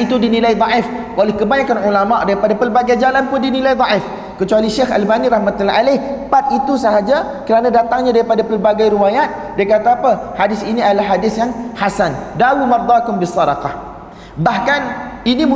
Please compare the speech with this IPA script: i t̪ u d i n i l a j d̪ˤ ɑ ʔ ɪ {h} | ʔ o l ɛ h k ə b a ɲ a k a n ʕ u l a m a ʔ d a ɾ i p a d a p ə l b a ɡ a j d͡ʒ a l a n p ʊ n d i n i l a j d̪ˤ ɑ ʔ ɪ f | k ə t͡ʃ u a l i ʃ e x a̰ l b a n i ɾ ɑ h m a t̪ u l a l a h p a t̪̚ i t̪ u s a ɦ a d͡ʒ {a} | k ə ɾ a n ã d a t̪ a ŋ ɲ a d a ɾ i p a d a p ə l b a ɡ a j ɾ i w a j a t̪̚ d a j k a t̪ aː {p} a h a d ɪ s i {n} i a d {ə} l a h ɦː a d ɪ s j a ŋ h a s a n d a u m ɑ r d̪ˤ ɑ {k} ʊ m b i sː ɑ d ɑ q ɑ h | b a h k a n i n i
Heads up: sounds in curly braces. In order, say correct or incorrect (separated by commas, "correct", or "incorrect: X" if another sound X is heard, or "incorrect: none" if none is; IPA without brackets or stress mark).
incorrect: f, correct, correct, correct, incorrect: a, correct